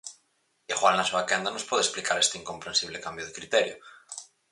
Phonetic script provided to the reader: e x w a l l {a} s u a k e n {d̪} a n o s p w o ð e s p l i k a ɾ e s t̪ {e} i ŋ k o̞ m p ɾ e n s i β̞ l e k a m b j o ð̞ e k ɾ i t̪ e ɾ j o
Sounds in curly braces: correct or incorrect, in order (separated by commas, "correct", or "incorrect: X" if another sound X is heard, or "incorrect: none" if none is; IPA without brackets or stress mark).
correct, correct, correct